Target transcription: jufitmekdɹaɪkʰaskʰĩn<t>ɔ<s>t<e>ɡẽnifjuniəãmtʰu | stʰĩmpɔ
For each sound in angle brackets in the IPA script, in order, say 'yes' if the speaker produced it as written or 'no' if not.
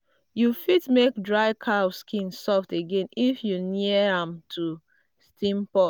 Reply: no, no, yes

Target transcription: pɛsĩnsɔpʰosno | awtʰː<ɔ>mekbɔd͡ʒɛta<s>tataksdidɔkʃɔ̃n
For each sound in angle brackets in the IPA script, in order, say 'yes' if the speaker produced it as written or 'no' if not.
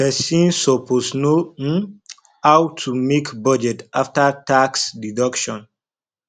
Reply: no, no

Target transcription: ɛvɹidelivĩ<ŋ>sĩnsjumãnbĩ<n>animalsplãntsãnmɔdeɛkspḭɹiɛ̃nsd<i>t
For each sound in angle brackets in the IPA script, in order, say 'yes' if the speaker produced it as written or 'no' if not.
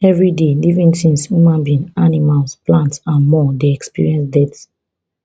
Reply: no, yes, no

